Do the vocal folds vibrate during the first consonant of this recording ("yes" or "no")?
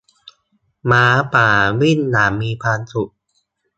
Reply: yes